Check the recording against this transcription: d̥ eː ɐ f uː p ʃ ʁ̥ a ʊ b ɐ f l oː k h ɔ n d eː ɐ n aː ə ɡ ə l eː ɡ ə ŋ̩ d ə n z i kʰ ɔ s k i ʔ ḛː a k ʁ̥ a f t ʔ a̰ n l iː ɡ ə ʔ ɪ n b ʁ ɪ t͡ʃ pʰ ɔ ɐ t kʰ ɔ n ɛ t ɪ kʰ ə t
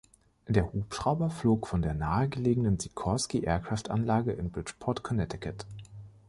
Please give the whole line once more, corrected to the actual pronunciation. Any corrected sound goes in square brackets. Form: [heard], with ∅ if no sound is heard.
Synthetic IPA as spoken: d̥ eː ɐ [h] uː p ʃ ʁ̥ a ʊ b ɐ f l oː k [f] ɔ n d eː ɐ n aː ə ɡ ə l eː ɡ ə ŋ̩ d ə n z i kʰ ɔ s k i ʔ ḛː [ɐ] k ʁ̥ a f t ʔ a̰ n l [aː] ɡ ə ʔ ɪ n b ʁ ɪ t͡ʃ pʰ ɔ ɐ t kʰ ɔ n ɛ t ɪ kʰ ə t

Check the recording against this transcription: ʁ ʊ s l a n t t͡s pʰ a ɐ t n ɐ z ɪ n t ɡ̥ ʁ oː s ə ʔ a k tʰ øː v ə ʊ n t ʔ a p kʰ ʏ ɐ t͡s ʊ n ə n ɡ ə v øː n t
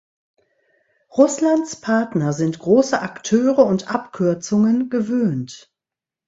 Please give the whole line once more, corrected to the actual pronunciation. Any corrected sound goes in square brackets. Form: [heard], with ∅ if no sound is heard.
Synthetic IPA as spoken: ʁ ʊ s l a n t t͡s pʰ a ɐ t n ɐ z ɪ n t ɡ̥ ʁ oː s ə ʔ a k tʰ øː [ʁ] ə ʊ n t ʔ a p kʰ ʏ ɐ t͡s ʊ [ŋ] ə n ɡ ə v øː n t

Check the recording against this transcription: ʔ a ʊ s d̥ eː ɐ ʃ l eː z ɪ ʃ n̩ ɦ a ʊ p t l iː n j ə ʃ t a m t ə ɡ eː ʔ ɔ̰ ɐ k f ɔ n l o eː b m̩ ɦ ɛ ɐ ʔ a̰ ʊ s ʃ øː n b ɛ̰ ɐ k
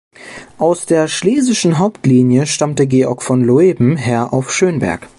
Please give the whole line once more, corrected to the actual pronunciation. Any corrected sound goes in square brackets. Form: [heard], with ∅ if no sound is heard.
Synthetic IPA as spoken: ʔ a ʊ s d̥ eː ɐ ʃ l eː z ɪ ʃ n̩ ɦ a ʊ p t l iː n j ə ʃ t a m t ə ɡ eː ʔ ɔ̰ ɐ k f ɔ n l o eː b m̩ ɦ ɛ ɐ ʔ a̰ ʊ [f] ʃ øː n b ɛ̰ ɐ k

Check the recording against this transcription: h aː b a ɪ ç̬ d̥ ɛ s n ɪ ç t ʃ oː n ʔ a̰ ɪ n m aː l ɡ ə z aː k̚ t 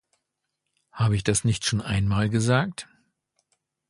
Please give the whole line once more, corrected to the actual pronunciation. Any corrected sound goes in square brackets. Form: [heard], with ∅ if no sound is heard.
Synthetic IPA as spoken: h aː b [ə] ɪ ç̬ d̥ [a] s n ɪ ç t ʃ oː n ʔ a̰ ɪ n m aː l ɡ ə z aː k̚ t

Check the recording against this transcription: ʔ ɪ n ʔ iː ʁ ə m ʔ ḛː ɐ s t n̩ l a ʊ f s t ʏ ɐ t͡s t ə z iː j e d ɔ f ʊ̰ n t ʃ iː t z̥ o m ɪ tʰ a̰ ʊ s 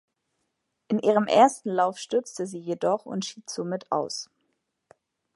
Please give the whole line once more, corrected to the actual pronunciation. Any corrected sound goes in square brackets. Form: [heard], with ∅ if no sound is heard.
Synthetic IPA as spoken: ʔ ɪ n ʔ iː ʁ ə m ʔ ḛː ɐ s t n̩ l a ʊ f [ʃ] t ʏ ɐ t͡s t ə z iː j e d ɔ [χ] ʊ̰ n t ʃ iː t z̥ o m ɪ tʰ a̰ ʊ s

